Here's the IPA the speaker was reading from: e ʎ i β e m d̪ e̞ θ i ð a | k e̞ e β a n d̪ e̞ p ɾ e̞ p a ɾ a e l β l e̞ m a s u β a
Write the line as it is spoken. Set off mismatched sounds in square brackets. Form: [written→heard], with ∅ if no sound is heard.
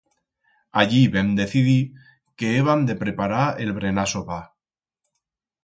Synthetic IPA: [e→a] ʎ i β e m d̪ e̞ θ i ð [a→i] | k e̞ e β a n d̪ e̞ p ɾ e̞ p a ɾ a e l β [l→ɾ] e̞ [m→n] a s [u→o] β a